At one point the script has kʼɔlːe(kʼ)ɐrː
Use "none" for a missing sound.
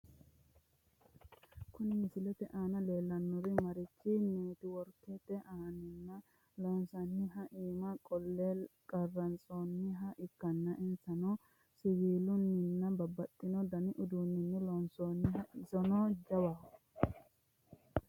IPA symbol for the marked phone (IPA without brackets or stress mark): kʼ